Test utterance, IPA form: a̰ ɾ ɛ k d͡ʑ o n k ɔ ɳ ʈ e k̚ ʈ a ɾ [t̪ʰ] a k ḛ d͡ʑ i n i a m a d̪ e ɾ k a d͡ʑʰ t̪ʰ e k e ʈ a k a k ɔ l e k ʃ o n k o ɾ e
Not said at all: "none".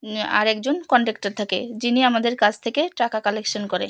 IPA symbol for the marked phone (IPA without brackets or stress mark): t̪ʰ